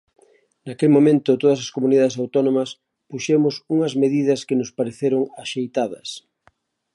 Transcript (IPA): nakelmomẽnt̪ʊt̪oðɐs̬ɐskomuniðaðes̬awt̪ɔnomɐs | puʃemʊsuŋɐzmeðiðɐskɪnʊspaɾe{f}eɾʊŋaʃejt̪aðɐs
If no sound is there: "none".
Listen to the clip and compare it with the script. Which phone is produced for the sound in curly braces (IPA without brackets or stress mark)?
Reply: θ